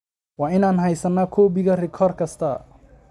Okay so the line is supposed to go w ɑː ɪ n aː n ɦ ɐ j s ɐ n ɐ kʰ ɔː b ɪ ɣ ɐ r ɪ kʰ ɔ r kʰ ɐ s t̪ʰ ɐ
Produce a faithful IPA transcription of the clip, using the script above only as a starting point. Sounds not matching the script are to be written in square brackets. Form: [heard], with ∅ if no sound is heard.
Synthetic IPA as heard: w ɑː ɪ n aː n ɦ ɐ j s ɐ n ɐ kʰ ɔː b ɪ ɣ ɐ r ɪ kʰ ɔ r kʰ ɐ s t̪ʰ ɐ

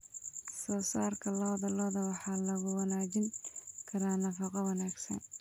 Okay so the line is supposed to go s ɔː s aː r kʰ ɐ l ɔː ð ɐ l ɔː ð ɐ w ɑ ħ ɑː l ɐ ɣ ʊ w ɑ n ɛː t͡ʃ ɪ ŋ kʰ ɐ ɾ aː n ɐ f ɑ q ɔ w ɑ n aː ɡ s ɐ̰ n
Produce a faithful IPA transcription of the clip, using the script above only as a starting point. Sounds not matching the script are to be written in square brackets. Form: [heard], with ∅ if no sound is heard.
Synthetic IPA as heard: s ɔː s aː r kʰ ɐ l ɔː ð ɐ l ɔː ð ɐ w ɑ ħ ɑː l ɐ ɣ ʊ w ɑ n [aː] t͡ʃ ɪ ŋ kʰ ɐ ɾ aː n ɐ f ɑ q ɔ w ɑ n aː ɡ s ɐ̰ n

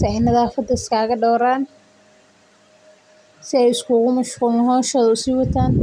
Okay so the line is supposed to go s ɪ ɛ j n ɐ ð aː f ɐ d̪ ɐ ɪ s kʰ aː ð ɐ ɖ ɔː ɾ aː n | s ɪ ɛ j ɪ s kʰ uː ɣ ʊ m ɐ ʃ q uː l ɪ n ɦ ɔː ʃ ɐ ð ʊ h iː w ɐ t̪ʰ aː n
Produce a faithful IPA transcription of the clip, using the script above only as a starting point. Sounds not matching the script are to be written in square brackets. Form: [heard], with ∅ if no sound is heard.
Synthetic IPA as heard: s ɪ ɛ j n ɐ ð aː f ɐ d̪ ɐ ɪ s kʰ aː [ɣ] ɐ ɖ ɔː ɾ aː n | s ɪ ɛ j ɪ s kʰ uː ɣ ʊ m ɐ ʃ q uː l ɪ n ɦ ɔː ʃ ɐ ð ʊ [s] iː w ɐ t̪ʰ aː n

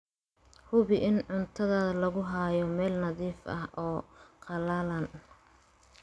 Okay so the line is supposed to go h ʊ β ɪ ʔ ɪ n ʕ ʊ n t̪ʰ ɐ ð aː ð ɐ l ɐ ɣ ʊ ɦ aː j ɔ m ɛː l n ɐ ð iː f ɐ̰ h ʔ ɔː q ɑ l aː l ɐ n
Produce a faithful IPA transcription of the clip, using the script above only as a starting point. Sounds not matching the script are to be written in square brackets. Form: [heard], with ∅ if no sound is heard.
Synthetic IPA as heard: h ʊ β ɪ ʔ ɪ n ʕ ʊ n t̪ʰ ɐ ð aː ð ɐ l ɐ ɣ ʊ ɦ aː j ɔ m ɛː l n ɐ ð iː f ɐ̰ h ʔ ɔː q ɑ l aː l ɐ n

